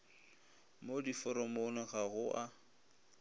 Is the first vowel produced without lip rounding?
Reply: no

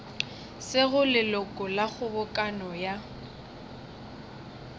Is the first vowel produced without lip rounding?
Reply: yes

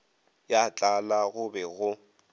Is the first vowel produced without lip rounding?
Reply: yes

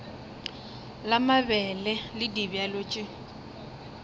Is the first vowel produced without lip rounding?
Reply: yes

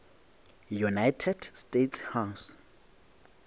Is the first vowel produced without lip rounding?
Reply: no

